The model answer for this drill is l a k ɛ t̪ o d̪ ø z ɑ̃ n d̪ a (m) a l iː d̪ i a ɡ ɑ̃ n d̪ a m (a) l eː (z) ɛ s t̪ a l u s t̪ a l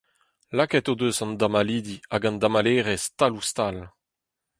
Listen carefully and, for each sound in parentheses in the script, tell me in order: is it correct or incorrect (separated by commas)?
correct, correct, incorrect